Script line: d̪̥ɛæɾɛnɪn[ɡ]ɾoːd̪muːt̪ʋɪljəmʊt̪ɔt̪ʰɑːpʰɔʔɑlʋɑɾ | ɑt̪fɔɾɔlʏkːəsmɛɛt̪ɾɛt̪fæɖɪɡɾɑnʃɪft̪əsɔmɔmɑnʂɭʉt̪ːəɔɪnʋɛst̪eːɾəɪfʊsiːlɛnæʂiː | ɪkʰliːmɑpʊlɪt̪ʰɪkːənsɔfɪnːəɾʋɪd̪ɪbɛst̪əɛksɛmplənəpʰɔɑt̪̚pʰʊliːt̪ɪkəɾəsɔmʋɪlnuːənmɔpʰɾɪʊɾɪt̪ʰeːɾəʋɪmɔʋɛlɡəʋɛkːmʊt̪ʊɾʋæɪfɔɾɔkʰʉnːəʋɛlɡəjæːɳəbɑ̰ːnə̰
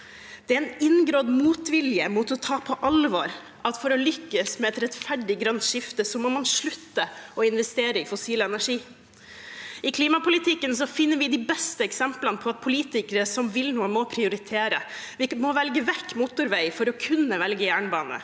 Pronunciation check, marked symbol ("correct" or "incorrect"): correct